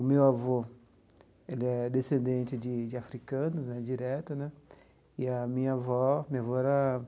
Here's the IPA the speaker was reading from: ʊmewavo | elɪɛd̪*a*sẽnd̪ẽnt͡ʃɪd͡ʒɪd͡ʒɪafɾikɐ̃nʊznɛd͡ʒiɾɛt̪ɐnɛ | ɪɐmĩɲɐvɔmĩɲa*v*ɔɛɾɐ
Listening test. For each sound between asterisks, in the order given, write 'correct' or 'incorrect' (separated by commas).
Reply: incorrect, correct